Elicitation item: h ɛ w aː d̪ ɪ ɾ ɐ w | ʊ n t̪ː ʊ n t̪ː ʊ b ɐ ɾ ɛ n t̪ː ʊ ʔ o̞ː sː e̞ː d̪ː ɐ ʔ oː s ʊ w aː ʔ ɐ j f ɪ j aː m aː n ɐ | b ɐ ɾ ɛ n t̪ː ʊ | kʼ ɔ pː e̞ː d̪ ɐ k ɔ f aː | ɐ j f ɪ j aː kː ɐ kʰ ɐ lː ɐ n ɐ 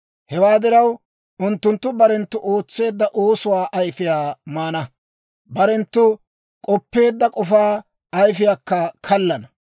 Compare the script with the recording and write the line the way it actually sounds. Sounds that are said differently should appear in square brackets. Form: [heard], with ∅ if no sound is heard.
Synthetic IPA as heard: h ɛ w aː d̪ ɪ ɾ ɐ w | ʊ n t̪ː ʊ n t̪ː ʊ b ɐ ɾ ɛ n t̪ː ʊ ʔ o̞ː [t͡sː] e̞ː d̪ː ɐ ʔ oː s ʊ w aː ʔ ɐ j f ɪ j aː m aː n ɐ | b ɐ ɾ ɛ n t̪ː ʊ | kʼ ɔ pː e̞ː [d̪ː] ɐ [kʼ] ɔ f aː | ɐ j f ɪ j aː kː ɐ kʰ ɐ lː ɐ n ɐ